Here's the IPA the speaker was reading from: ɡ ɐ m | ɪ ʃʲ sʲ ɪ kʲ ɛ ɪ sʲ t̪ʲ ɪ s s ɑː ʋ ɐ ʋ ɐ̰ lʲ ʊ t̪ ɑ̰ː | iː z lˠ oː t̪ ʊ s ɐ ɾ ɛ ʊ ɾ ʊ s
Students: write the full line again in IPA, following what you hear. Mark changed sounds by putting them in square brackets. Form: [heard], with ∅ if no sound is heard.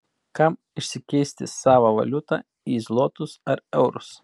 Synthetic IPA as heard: [k] ɐ m | ɪ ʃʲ sʲ ɪ kʲ ɛ ɪ sʲ t̪ʲ ɪ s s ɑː ʋ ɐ ʋ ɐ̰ lʲ ʊ t̪ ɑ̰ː | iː z lˠ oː t̪ ʊ s ɐ ɾ ɛ ʊ ɾ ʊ s